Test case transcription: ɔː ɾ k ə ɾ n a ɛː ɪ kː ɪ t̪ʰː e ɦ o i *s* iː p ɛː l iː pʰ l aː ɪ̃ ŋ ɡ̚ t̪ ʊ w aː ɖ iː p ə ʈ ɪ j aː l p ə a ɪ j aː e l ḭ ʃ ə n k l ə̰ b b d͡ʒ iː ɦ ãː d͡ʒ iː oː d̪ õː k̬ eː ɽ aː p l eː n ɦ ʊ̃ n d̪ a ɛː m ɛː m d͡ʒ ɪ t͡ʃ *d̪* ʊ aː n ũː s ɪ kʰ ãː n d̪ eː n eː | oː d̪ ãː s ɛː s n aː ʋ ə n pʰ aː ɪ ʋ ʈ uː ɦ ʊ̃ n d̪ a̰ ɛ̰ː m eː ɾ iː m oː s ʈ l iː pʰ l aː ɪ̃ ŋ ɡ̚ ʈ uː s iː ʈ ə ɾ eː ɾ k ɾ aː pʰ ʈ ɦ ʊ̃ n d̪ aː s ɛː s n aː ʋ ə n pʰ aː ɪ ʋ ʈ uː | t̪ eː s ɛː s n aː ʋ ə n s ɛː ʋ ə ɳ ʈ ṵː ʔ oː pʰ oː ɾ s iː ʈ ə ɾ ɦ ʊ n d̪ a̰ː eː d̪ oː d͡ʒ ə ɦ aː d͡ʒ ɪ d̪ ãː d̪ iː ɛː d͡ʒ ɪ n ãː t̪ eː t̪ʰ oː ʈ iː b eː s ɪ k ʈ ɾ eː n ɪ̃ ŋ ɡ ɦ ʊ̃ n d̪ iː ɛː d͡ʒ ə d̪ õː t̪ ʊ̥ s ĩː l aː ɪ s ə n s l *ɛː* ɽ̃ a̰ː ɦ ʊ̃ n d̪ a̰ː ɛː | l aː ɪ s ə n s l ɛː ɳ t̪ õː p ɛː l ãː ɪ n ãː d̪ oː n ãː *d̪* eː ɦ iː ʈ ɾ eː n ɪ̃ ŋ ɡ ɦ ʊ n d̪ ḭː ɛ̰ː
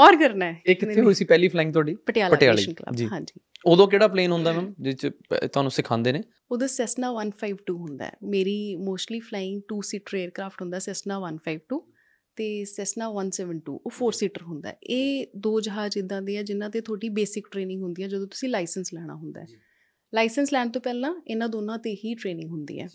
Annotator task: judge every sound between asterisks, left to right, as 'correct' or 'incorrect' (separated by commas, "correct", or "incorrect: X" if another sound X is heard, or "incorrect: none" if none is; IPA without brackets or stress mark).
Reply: correct, incorrect: t̪, correct, incorrect: t̪